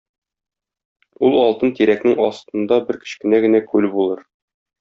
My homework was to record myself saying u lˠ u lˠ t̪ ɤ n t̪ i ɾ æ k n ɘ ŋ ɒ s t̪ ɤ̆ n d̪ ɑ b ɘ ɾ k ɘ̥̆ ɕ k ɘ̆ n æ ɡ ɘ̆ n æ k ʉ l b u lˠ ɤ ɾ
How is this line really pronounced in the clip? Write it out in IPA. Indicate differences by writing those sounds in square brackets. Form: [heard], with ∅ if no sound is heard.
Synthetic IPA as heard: u lˠ [ɒ] lˠ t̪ ɤ n t̪ i ɾ æ k n ɘ ŋ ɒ s t̪ ɤ̆ n d̪ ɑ b ɘ ɾ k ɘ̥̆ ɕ k ɘ̆ n æ ɡ ɘ̆ n æ k ʉ l b u lˠ ɤ ɾ

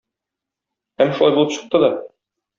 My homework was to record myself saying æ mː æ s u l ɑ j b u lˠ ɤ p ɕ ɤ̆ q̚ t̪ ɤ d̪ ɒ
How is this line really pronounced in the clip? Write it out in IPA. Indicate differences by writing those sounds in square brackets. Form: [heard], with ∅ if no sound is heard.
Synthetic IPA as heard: æ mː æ [ʃ] u l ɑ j b u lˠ ɤ p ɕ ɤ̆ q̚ t̪ ɤ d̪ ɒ

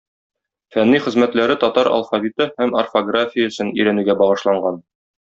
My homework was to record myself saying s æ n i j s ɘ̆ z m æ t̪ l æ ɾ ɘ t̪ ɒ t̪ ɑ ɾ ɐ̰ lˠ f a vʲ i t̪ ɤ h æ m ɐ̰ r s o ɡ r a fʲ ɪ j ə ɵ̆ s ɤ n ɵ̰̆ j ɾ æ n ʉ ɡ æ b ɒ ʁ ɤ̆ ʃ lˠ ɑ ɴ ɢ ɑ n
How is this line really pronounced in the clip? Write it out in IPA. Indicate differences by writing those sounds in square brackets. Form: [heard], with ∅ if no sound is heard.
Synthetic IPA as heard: [f] æ [nː] i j [χ] ɘ̆ z m æ t̪ l æ ɾ ɘ t̪ ɒ t̪ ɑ ɾ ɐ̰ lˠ f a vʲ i t̪ ɤ h æ m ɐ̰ r [f] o ɡ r a fʲ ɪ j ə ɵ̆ s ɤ n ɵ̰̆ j ɾ æ n ʉ ɡ æ b ɒ ʁ ɤ̆ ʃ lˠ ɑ ɴ ɢ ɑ n

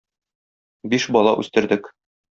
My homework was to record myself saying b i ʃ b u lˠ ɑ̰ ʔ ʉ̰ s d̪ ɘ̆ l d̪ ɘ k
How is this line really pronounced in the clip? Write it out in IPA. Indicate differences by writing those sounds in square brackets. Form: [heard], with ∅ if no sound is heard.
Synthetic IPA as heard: b i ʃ b [ɒ] lˠ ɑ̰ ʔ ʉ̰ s [t̪] ɘ̆ [ɾ] d̪ ɘ k

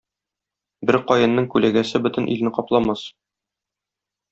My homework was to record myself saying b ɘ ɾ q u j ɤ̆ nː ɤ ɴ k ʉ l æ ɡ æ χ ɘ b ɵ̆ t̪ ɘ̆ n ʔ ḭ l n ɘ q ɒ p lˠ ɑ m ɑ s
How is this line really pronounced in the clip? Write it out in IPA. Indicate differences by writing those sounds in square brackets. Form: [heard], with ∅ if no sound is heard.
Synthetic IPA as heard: b ɘ ɾ q [ɒ] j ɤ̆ nː ɤ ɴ k ʉ l æ ɡ æ [s] ɘ b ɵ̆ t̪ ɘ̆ n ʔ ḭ l n ɘ q ɒ p lˠ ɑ m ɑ s

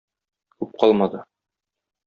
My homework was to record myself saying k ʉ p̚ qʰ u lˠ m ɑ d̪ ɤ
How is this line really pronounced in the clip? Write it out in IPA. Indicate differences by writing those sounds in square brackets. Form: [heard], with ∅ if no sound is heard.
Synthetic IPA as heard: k ʉ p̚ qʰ [ɒ] lˠ m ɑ d̪ ɤ

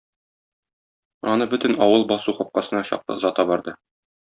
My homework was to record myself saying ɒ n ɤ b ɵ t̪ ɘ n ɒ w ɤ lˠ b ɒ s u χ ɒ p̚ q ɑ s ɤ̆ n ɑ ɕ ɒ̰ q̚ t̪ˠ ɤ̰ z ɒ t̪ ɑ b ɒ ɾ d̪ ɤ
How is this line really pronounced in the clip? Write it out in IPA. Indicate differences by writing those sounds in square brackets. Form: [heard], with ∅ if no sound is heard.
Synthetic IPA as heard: ɒ n ɤ b ɵ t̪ ɘ n ɒ w ɤ lˠ b ɒ s u χ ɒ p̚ q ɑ s ɤ̆ n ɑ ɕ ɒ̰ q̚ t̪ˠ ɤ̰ z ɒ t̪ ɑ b ɒ ɾ d̪ ɤ

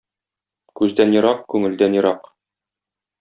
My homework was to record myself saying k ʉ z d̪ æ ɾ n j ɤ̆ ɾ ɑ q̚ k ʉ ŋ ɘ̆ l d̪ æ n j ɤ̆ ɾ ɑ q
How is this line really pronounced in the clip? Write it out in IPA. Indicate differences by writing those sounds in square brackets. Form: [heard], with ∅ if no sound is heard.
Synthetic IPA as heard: k ʉ z d̪ æ [∅] n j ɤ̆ ɾ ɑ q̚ k ʉ ŋ ɘ̆ l d̪ æ n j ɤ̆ ɾ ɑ q

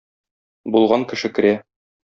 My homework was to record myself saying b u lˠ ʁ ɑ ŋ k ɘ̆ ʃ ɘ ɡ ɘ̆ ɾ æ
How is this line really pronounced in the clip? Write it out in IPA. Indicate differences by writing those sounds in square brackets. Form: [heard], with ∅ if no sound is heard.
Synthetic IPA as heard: b u lˠ ʁ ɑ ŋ k ɘ̆ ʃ ɘ [k] ɘ̆ ɾ æ

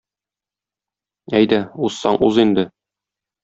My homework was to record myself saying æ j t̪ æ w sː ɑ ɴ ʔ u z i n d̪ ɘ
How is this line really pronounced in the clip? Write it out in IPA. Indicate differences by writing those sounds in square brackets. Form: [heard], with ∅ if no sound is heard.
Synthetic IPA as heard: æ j [d̪] æ [u] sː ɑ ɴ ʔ u z i n d̪ ɘ

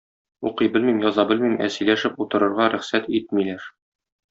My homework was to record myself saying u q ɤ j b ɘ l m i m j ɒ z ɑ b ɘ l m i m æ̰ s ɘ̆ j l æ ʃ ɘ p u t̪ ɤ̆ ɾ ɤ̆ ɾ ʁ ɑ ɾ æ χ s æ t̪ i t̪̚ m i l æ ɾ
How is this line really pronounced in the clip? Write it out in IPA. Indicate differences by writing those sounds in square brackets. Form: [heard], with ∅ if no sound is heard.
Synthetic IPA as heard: u q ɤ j b ɘ l m i m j ɒ z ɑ b ɘ l m i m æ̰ s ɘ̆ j l æ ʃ ɘ p u t̪ ɤ̆ ɾ ɤ̆ ɾ ʁ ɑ ɾ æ χ s æ t̪ i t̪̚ m i l æ ɾ

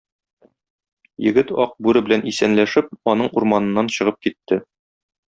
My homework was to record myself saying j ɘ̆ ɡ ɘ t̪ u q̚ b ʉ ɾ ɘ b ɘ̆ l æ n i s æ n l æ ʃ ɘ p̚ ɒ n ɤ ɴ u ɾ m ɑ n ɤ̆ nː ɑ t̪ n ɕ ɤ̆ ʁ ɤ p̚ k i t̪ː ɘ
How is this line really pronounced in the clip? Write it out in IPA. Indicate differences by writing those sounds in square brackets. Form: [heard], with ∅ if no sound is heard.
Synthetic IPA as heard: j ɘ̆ ɡ ɘ t̪ [ɒ] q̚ b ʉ ɾ ɘ b ɘ̆ l æ n i s æ n l æ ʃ ɘ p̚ ɒ n ɤ ɴ u ɾ m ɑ n ɤ̆ nː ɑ [∅] n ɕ ɤ̆ ʁ ɤ p̚ k i t̪ː ɘ

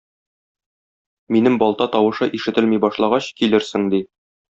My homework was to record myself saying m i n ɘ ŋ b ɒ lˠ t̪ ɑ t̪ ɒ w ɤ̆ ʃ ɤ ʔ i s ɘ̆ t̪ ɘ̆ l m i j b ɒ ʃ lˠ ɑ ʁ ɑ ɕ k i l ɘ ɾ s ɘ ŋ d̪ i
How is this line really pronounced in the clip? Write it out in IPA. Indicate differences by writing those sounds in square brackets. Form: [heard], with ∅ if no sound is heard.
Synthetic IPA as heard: m i n ɘ [m] b ɒ lˠ t̪ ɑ t̪ ɒ w ɤ̆ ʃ ɤ ʔ i [ʃ] ɘ̆ t̪ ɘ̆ l m i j b ɒ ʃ lˠ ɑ ʁ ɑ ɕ k i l ɘ ɾ s ɘ ŋ d̪ i

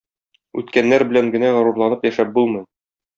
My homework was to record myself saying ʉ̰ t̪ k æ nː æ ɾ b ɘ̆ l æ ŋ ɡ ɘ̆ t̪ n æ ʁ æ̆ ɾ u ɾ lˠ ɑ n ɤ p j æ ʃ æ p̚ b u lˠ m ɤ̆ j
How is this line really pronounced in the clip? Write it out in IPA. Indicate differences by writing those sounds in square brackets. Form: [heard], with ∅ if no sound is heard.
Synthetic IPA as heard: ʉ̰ t̪ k æ nː æ ɾ b ɘ̆ l æ ŋ ɡ ɘ̆ [∅] n æ ʁ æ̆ ɾ u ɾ lˠ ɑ n ɤ p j æ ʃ æ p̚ b u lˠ m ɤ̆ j

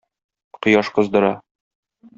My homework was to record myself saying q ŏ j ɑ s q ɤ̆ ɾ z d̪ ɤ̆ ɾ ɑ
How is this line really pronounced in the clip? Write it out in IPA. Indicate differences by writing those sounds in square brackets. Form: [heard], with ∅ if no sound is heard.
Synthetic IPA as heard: q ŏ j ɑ [ʃ] q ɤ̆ [∅] z d̪ ɤ̆ ɾ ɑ

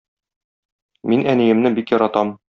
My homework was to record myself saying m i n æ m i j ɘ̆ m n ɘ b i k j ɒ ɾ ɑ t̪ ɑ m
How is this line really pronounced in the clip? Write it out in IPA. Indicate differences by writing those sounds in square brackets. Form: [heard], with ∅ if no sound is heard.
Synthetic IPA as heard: m i n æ [n] i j ɘ̆ m n ɘ b i k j ɒ ɾ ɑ t̪ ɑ m

